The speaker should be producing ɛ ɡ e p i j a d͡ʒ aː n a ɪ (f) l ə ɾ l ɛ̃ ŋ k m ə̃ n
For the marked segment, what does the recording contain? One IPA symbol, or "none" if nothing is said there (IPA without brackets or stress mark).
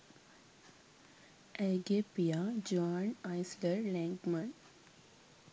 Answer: s